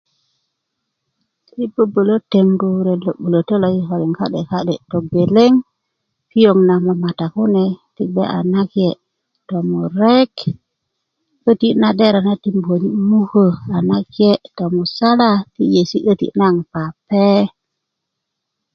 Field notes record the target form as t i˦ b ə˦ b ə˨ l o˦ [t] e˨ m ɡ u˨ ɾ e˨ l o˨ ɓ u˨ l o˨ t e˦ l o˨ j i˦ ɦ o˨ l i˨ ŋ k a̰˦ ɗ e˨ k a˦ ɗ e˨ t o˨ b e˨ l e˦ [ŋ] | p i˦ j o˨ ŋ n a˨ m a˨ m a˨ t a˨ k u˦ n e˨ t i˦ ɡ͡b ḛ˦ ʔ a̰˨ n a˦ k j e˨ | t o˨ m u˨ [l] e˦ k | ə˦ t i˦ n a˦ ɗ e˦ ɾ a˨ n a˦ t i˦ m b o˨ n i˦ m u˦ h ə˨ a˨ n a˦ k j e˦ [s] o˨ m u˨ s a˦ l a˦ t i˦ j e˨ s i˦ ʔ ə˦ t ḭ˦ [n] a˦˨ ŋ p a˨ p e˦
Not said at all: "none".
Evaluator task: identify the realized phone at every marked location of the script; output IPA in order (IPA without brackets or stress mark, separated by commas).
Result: t, ŋ, ɾ, t, n